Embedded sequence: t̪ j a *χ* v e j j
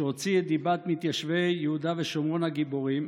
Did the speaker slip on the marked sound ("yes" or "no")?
yes